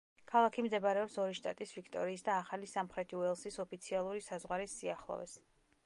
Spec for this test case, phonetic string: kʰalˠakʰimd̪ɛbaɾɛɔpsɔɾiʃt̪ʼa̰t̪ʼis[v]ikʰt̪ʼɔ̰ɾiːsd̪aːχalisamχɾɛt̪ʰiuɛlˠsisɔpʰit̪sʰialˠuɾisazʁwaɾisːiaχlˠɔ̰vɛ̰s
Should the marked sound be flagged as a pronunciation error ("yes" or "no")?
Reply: no